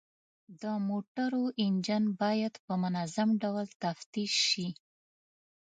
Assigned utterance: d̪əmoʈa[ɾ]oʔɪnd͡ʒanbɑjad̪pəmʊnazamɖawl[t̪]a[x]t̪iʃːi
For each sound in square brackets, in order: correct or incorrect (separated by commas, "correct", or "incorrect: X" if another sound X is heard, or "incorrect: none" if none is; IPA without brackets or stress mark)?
correct, correct, incorrect: f